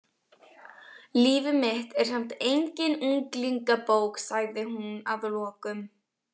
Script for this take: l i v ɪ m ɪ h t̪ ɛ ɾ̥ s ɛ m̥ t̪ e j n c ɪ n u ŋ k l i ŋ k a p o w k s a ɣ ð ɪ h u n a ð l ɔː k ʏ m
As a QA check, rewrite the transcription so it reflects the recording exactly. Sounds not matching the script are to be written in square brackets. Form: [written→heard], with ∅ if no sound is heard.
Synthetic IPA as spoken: l [i→iː] v ɪ m ɪ h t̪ ɛ ɾ̥ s ɛ m̥ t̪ e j [n→ɲ] c ɪ n u ŋ k l i ŋ k a p o w k s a ɣ ð ɪ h u n a ð l ɔː k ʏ m